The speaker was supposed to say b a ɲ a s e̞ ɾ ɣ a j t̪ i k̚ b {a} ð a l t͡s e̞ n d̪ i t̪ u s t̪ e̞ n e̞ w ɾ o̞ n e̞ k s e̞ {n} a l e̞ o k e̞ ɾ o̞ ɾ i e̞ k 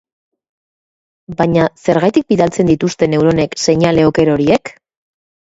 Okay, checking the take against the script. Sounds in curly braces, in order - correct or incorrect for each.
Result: incorrect: i, incorrect: ɲ

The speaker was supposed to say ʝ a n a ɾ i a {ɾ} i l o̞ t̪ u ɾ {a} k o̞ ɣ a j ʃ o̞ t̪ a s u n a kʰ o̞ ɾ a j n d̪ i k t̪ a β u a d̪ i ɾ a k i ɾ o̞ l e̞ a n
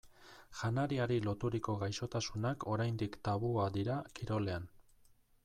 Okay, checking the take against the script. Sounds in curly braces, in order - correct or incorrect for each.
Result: correct, incorrect: i

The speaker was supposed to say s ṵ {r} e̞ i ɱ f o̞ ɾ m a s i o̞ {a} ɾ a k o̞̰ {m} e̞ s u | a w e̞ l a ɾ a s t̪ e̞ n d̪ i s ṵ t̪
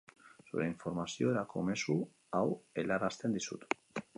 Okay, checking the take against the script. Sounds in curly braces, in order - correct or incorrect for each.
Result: incorrect: ɾ, incorrect: e, correct

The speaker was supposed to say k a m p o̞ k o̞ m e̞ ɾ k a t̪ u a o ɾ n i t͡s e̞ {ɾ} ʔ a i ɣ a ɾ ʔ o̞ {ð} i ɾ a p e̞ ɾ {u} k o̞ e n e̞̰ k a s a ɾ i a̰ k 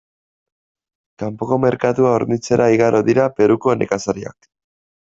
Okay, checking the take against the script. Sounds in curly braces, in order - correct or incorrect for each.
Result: correct, correct, correct

